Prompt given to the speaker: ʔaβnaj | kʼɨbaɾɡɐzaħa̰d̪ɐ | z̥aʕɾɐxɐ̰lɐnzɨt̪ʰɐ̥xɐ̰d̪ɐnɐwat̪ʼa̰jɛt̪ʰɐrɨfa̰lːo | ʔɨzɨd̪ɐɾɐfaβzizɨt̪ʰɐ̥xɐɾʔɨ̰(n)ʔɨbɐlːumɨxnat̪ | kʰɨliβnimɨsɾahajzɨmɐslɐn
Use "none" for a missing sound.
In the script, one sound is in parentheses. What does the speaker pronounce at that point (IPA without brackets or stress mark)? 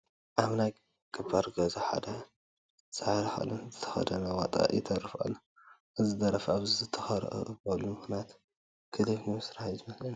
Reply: none